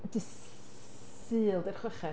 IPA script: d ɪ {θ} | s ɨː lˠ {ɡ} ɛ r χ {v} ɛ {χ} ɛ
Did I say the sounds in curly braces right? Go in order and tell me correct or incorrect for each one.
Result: incorrect, incorrect, incorrect, correct

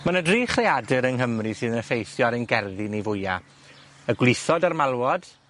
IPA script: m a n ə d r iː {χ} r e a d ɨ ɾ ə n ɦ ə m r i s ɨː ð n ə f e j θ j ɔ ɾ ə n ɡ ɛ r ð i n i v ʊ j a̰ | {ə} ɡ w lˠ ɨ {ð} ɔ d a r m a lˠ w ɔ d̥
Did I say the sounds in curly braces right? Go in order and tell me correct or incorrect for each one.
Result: correct, correct, incorrect

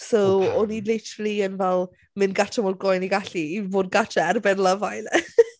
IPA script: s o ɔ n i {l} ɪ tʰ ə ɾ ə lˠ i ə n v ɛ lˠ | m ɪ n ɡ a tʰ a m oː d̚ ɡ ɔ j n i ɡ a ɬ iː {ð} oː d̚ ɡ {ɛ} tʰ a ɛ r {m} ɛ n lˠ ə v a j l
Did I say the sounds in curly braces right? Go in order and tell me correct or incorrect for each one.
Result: correct, incorrect, incorrect, incorrect

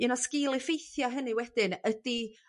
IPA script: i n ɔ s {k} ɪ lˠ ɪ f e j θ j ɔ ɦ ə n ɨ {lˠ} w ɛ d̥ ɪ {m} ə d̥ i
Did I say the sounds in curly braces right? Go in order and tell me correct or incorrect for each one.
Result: correct, incorrect, incorrect

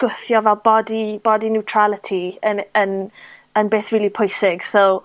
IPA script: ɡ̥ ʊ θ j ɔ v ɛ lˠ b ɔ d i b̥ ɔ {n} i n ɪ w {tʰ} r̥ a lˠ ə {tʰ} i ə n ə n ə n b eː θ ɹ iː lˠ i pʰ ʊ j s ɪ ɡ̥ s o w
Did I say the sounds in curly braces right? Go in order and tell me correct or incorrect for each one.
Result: incorrect, correct, correct

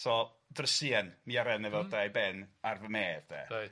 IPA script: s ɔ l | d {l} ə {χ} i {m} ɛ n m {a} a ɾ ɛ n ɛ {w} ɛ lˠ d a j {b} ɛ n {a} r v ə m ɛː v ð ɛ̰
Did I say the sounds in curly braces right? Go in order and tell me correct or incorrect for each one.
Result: incorrect, incorrect, incorrect, incorrect, incorrect, correct, correct

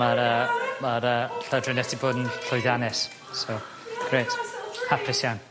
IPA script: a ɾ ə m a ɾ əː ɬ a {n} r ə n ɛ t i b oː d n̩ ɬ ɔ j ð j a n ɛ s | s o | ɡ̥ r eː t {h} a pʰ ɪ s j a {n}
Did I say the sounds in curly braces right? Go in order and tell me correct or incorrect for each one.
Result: incorrect, correct, correct

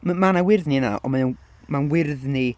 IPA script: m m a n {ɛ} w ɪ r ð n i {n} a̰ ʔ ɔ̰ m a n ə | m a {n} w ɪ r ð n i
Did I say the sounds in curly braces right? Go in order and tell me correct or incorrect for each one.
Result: incorrect, correct, correct

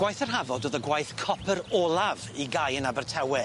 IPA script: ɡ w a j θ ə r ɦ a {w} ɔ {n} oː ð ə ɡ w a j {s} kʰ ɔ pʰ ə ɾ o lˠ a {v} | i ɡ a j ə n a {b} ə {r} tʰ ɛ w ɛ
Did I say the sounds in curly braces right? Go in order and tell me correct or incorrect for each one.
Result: incorrect, incorrect, incorrect, correct, correct, correct

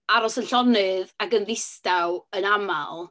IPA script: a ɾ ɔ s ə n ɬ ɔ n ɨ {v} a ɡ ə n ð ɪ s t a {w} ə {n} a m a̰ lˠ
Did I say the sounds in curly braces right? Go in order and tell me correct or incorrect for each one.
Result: incorrect, correct, correct

